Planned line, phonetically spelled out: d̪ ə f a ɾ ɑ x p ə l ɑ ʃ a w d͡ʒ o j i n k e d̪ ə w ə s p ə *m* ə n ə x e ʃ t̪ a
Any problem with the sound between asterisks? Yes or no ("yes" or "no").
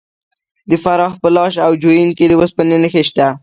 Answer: yes